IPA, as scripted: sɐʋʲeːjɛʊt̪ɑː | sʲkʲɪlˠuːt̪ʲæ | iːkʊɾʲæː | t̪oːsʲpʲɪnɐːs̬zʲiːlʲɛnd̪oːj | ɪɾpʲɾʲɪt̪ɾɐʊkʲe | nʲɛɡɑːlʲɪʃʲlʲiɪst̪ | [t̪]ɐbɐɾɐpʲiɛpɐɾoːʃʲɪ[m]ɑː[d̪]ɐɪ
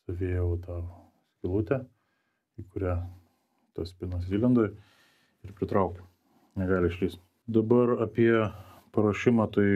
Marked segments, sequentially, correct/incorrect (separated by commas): incorrect, correct, incorrect